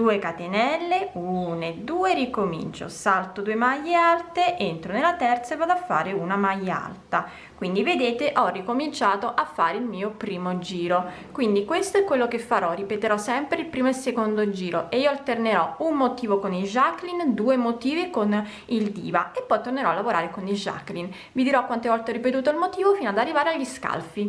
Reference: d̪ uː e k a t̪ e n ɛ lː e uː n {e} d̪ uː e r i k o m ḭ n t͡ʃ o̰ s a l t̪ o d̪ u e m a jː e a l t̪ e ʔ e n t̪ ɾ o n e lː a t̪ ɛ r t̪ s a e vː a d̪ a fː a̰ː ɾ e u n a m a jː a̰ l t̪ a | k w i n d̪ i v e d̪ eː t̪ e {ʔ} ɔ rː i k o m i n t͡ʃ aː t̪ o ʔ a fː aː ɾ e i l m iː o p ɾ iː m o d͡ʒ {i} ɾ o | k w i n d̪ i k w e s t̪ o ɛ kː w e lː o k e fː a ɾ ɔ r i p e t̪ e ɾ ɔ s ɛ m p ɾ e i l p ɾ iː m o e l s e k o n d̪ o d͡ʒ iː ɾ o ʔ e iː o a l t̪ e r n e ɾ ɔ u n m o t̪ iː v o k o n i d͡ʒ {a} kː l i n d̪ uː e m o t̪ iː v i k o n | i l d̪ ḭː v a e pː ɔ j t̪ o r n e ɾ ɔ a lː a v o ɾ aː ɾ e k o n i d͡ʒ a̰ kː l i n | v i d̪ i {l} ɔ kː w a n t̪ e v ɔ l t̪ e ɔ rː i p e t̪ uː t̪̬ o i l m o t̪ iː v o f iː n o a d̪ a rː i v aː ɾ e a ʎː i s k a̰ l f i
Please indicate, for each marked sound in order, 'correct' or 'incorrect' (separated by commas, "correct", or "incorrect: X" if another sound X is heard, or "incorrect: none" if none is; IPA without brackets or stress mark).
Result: correct, correct, incorrect: iː, correct, incorrect: ɾ